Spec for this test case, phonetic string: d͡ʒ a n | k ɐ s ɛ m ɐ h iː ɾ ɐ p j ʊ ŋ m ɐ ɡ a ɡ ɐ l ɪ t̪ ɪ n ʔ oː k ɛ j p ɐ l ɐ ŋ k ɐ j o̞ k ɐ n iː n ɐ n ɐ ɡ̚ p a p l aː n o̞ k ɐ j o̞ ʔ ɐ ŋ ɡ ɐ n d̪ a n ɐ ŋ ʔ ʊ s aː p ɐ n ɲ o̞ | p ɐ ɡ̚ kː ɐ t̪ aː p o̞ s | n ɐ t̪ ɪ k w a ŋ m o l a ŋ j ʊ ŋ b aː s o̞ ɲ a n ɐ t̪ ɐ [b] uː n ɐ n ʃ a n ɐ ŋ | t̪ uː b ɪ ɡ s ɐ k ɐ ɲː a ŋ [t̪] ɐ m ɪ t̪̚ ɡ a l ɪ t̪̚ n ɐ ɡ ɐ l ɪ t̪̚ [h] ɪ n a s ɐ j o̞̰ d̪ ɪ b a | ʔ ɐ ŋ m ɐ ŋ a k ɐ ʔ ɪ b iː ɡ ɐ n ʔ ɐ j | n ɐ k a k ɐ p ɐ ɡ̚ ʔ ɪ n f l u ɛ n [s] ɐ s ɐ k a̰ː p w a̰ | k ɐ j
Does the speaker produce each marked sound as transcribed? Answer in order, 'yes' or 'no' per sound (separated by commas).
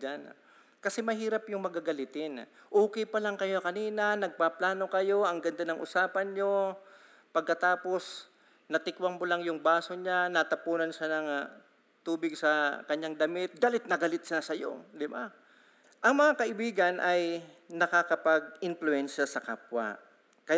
no, no, no, no